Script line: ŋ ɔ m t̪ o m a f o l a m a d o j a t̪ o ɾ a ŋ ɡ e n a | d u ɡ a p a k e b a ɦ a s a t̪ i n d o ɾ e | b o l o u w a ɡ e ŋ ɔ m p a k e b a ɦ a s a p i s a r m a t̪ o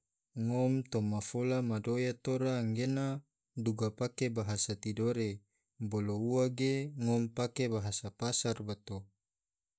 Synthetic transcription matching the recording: ŋ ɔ m t̪ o m a f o l a m a d o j a t̪ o ɾ a ŋ ɡ e n a | d u ɡ a p a k e b a ɦ a s a t̪ i d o ɾ e | b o l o u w a ɡ e ŋ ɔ m p a k e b a ɦ a s a p a s a r b a t̪ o

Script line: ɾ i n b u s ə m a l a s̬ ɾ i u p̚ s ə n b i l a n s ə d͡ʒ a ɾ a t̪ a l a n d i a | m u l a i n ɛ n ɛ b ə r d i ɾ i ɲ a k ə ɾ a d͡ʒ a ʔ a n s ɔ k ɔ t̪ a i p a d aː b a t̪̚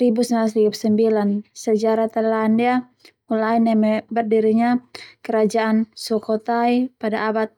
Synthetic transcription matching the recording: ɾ i b u s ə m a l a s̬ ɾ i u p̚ s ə m b i l a n s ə d͡ʒ a ɾ a t̪ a l a n d i a | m u l a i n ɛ m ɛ b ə r d i ɾ i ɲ a k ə ɾ a d͡ʒ a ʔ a n s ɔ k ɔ t̪ a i p a d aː b a t̪̚

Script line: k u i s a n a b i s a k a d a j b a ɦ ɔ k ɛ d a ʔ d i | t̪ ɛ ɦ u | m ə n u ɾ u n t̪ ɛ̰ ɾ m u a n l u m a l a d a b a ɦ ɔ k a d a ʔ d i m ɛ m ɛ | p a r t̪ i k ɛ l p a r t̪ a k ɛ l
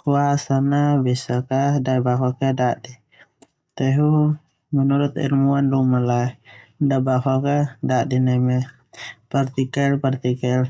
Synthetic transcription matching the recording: k u a s a n a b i s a k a d a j b a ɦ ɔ k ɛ d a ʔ d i | t̪ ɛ ɦ u | m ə n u ɾ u t̪ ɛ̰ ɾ m u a n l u m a l a d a b a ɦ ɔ k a d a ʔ d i n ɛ m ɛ | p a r t̪ i k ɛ l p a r t̪ i k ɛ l

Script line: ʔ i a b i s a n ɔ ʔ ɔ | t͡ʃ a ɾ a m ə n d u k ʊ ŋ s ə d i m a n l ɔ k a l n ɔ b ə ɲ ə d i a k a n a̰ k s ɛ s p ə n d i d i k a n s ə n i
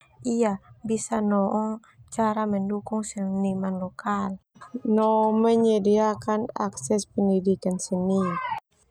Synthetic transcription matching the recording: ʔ i a b i s a n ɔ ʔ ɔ | t͡ʃ a ɾ a m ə n d u k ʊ ŋ s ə n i m a n l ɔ k a l n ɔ m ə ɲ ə d i a k a n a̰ k s ɛ s p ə n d i d i k a n s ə n i

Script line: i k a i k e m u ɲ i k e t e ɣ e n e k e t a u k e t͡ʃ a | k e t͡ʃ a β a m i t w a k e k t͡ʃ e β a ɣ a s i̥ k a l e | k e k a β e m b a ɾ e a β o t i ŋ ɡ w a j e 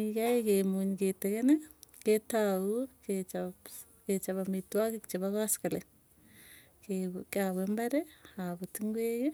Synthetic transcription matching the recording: i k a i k e m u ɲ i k e t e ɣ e n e k e t a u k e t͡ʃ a | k e t͡ʃ a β a m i t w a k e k t͡ʃ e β a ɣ a s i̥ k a l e | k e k a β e m b a ɾ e a β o t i ŋ ɡ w e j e

